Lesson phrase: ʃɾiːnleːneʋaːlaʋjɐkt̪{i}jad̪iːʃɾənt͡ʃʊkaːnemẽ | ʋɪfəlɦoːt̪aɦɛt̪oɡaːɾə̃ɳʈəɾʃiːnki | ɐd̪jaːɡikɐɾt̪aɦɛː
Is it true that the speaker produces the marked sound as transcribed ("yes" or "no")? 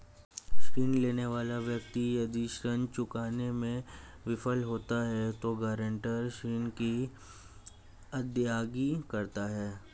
yes